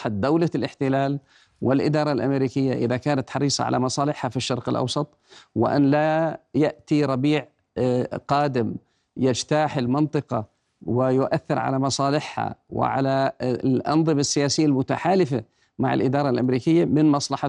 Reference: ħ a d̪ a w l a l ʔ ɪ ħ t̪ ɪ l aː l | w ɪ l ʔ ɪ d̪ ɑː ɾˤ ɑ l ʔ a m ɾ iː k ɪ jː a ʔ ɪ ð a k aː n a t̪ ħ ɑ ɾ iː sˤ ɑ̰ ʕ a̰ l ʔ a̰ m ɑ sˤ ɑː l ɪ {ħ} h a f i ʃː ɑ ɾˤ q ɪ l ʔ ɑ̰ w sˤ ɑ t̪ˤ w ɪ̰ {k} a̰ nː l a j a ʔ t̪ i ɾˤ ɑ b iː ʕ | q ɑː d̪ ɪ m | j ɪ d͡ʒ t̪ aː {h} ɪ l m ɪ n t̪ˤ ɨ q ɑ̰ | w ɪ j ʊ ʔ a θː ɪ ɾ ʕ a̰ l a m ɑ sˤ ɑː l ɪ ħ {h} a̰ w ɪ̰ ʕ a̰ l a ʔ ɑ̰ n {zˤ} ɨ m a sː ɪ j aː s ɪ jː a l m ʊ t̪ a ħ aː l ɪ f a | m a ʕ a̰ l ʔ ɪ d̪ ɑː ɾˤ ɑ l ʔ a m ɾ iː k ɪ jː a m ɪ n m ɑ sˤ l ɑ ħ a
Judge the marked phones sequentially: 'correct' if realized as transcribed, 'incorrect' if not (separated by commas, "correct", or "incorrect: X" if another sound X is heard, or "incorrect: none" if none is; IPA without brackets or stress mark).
correct, incorrect: ʔ, incorrect: ħ, correct, incorrect: ðˤ